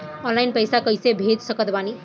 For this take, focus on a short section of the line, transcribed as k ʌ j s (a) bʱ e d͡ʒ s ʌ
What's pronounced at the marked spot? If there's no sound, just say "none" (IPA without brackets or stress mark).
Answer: e